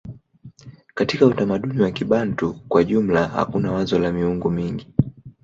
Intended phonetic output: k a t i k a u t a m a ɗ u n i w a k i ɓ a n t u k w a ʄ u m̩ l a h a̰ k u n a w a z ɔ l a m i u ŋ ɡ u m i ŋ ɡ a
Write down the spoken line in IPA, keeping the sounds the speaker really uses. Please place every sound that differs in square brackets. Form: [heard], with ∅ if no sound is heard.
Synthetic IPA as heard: k a t i k a u t a m a ɗ u n i w a k i ɓ a n t u k w a ʄ u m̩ l a h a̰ k u n a w a z ɔ l a m i u ŋ ɡ u m i ŋ ɡ [i]